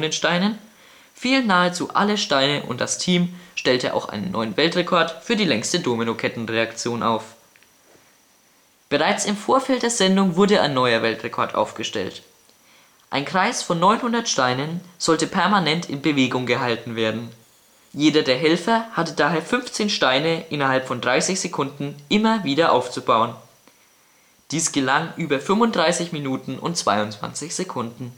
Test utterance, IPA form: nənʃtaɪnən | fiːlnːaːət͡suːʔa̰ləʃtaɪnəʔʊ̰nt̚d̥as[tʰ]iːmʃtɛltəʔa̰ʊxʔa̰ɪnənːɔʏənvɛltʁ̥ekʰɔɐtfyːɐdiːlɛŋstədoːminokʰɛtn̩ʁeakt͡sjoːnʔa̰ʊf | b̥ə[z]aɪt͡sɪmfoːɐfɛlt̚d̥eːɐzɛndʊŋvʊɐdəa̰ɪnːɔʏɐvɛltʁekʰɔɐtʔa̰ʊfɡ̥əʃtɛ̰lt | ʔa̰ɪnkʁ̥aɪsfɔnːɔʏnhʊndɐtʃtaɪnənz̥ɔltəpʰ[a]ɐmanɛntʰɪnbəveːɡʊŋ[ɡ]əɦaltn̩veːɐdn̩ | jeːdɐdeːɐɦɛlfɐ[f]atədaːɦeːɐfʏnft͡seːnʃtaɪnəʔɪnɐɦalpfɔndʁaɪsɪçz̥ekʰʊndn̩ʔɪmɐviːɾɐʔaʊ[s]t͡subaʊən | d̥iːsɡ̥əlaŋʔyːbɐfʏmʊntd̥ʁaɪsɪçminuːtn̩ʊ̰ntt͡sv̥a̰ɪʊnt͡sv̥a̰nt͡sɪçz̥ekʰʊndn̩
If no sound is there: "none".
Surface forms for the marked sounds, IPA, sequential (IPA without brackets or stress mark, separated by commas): tʰ, ʁ, ɛ, ɡ, h, f